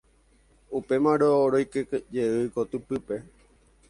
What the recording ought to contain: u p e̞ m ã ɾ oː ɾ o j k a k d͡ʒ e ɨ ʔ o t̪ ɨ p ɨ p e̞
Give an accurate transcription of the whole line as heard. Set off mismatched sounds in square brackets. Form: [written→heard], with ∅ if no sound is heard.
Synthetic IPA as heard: u p e̞ m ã ɾ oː ɾ o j k [a→e] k d͡ʒ e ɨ [ʔ→k] o t̪ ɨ p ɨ p e̞

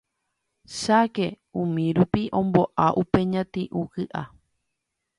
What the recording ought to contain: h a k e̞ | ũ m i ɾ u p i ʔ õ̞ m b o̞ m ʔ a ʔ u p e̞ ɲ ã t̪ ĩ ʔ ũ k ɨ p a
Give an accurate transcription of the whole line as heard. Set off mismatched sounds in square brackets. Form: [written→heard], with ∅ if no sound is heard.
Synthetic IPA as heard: [h→ʃ] a k e̞ | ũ m [i→ĩ] ɾ u p i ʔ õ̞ m b o̞ [m→∅] ʔ a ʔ u p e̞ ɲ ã t̪ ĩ ʔ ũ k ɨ [p→ʔ] a

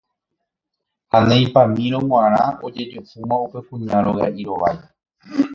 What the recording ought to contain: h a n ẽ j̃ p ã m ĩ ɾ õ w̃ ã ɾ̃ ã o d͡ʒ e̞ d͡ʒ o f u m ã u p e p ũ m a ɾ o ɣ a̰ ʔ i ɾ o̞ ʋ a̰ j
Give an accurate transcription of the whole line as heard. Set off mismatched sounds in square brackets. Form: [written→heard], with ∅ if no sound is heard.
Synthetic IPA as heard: h a n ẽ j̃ p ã m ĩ ɾ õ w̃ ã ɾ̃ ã o d͡ʒ e̞ d͡ʒ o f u m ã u p e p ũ [m→ɲ] a ɾ o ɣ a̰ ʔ i ɾ o̞ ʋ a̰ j

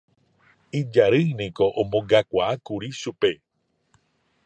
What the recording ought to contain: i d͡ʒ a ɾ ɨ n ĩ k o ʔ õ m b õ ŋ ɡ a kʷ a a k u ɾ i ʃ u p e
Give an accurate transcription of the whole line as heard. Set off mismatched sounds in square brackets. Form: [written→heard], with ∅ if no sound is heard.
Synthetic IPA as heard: i d͡ʒ a ɾ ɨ n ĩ k o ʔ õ m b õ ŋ ɡ a kʷ a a k u ɾ i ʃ u p e

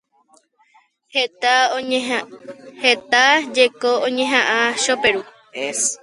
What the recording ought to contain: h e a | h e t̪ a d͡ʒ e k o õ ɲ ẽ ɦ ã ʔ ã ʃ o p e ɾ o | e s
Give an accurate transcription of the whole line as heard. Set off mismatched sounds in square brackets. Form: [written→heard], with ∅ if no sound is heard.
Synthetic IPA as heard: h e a | h e t̪ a d͡ʒ e k o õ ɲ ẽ ɦ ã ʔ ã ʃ o p e ɾ [o→u] | e s

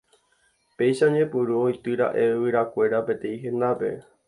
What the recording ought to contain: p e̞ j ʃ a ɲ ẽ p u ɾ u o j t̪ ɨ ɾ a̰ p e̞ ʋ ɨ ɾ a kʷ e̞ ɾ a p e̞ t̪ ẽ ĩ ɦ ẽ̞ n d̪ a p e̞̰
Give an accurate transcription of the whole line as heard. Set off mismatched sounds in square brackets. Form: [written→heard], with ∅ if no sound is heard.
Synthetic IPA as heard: p e̞ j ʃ a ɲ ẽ p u ɾ u o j t̪ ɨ ɾ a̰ [p→ʔ] e̞ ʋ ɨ ɾ a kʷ e̞ ɾ a p e̞ t̪ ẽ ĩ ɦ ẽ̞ n d̪ a p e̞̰

